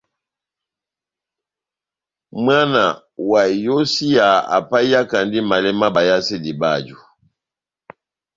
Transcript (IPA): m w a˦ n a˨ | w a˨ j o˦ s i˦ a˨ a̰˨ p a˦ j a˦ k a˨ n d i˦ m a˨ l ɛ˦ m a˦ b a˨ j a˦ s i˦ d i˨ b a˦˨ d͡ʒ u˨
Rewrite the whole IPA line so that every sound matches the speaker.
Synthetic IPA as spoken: m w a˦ n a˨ | w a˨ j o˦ s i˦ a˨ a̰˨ p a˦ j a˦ k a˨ n d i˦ m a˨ l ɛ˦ m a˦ b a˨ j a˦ s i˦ d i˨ b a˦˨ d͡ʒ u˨